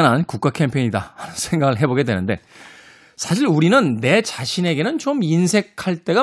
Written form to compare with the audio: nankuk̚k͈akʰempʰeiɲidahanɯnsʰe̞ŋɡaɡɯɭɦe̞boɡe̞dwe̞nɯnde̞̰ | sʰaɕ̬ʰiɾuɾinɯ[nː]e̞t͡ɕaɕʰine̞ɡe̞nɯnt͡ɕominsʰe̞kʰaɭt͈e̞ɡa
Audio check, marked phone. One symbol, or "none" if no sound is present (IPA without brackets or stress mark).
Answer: nː